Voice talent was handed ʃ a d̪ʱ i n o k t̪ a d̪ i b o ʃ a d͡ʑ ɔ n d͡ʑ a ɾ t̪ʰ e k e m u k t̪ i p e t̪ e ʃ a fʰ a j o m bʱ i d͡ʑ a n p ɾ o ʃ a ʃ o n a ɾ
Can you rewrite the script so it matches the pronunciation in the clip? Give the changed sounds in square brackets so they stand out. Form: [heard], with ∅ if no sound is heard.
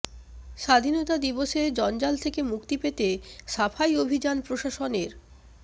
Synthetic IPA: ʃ a d̪ʱ i n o [∅] t̪ a d̪ i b o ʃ [e] d͡ʑ ɔ n d͡ʑ a [l] t̪ʰ e k e m u k t̪ i p e t̪ e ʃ a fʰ a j o [∅] bʱ i d͡ʑ a n p ɾ o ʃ a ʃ o n [e] ɾ